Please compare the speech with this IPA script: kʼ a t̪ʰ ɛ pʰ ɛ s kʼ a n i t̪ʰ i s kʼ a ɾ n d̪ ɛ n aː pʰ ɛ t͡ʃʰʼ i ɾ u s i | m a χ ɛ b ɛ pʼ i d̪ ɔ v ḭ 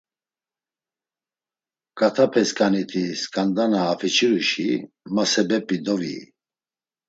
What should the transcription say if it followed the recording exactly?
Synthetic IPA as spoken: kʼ a t̪ʰ a pʰ ɛ s kʼ a n i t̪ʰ i s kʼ a n d̪ a n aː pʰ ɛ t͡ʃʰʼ i ɾ u ʃ i | m a s ɛ b ɛ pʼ i d̪ ɔ v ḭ